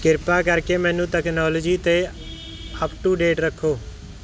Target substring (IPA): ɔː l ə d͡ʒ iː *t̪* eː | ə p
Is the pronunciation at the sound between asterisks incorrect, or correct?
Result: correct